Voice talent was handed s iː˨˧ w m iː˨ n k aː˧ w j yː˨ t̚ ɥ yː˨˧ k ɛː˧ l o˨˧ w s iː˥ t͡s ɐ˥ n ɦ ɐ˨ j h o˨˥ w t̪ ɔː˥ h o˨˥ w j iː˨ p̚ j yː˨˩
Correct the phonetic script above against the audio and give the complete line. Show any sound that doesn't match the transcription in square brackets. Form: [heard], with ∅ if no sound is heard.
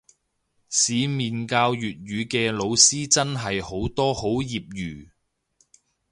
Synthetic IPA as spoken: s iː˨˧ [∅] m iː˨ n k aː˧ w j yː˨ t̚ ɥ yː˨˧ k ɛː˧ l o˨˧ w s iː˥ t͡s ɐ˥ n ɦ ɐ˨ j h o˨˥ w t̪ ɔː˥ h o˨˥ w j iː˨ p̚ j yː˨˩